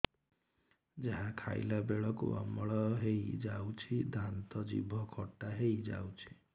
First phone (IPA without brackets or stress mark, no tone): d͡ʒ